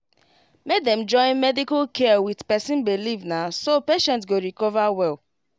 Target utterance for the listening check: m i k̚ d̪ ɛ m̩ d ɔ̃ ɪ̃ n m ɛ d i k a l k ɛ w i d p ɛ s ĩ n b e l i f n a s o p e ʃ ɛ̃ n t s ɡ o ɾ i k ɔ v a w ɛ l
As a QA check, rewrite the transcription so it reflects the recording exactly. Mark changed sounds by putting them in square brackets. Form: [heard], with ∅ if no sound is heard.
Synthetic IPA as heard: m [e] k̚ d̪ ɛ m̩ [d͡ʒ] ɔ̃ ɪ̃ n m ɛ d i k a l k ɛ w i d p ɛ s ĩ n b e l i [v] n a s o p e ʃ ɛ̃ n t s ɡ o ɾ i k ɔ v a w ɛ l